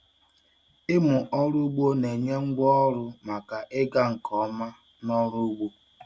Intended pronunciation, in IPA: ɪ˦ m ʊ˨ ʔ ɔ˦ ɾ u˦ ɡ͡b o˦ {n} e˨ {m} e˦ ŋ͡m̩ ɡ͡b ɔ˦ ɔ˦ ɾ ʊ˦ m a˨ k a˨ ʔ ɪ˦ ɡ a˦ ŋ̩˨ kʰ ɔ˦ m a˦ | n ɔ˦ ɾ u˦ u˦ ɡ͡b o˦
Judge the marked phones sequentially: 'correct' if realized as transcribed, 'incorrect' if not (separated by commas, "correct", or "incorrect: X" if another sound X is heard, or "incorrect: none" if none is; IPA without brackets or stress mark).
correct, incorrect: ɲ